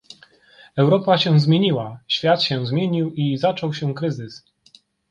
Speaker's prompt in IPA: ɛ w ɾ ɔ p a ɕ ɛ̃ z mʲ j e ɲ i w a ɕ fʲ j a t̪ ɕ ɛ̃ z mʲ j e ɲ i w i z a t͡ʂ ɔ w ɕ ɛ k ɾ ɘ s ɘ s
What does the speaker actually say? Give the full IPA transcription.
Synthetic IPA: ɛ w ɾ ɔ p a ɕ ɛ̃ z mʲ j e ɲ i w a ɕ fʲ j a t̪ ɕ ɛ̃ z mʲ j e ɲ i w i z a t͡ʂ ɔ w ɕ ɛ k ɾ ɘ z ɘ s